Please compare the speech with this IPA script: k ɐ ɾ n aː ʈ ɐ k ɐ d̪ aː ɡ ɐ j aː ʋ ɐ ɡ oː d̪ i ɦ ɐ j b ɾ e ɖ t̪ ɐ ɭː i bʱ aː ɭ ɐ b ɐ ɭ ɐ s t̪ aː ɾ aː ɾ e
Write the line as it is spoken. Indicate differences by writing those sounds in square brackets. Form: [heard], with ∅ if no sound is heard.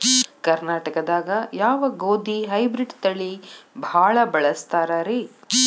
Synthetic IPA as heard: k ɐ ɾ n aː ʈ ɐ k ɐ d̪ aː ɡ ɐ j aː ʋ ɐ ɡ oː d̪ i ɦ ɐ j b ɾ [i] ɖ t̪ ɐ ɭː i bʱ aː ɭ ɐ b ɐ ɭ ɐ s t̪ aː ɾ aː ɾ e